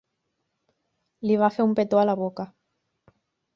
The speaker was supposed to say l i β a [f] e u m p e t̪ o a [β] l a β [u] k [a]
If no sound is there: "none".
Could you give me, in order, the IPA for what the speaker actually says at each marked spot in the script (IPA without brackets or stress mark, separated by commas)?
f, none, o, a